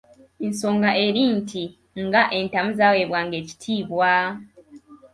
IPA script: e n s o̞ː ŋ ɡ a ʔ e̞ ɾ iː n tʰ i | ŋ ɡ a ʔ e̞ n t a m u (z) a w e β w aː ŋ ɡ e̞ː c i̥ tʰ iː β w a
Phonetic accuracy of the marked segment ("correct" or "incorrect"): correct